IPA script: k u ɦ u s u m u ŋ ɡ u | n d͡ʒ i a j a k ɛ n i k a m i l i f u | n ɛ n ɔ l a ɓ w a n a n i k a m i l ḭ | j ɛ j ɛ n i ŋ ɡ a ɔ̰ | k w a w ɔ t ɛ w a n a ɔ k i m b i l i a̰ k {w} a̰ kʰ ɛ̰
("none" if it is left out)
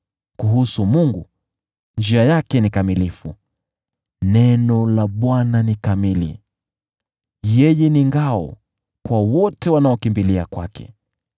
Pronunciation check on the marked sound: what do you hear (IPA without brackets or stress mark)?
w